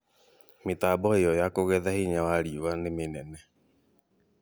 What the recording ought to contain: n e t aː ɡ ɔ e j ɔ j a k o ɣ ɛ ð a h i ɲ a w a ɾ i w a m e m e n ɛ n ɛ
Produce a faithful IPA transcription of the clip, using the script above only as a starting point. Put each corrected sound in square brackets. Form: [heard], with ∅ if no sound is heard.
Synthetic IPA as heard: [m] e t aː [b] ɔ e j ɔ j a k o ɣ ɛ ð a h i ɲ a w a ɾ i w a [n] e m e n ɛ n ɛ